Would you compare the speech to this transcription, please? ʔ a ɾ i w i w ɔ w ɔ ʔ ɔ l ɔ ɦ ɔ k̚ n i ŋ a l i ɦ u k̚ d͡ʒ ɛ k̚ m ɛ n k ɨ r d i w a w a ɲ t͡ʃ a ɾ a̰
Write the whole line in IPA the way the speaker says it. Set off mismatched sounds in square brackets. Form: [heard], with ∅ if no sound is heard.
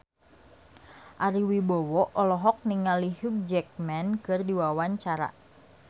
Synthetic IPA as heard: ʔ a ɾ i w i [b] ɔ w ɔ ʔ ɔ l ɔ ɦ ɔ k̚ n i ŋ a l i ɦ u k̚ d͡ʒ ɛ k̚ m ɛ n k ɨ r d i w a w a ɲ t͡ʃ a ɾ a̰